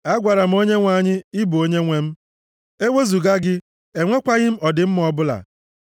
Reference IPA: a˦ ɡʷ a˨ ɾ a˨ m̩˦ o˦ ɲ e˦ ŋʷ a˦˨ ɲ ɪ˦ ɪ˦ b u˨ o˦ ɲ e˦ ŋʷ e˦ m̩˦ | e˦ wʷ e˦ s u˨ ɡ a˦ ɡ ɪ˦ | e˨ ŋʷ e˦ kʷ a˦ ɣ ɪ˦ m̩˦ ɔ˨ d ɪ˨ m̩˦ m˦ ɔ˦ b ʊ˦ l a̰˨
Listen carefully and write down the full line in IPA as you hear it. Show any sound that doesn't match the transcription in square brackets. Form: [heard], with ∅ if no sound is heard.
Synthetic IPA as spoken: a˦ ɡʷ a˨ ɾ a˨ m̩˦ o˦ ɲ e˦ ŋʷ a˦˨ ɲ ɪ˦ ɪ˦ b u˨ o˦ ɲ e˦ ŋʷ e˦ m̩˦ | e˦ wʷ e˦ [z] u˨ ɡ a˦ ɡ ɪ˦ | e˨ ŋʷ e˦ kʷ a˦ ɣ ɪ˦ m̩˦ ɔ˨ d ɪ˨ m̩˦ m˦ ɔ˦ b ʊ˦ l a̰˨